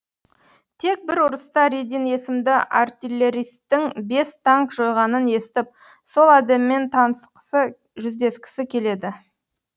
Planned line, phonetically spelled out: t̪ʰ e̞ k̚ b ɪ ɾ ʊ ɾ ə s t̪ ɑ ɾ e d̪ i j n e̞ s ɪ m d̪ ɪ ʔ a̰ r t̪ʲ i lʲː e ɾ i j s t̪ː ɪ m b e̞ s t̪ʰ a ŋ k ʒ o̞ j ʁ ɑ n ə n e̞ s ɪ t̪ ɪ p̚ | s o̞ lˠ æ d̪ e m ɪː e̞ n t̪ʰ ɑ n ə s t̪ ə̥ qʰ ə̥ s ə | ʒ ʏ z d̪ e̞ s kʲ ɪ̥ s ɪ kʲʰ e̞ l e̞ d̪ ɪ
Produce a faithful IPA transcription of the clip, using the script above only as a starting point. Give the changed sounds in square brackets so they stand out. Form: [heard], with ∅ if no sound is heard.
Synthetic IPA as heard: t̪ʰ e̞ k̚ b ɪ ɾ ʊ ɾ ə s t̪ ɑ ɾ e d̪ i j n e̞ s ɪ m d̪ ɪ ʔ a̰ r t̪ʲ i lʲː e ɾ i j s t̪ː ɪ [ŋ] b e̞ s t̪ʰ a ŋ k ʒ o̞ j ʁ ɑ n ə n e̞ s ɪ t̪ ɪ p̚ | s o̞ lˠ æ d̪ e m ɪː e̞ n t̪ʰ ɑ n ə s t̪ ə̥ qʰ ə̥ s ə | ʒ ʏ z d̪ e̞ s kʲ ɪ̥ s ɪ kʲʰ e̞ l e̞ d̪ ɪ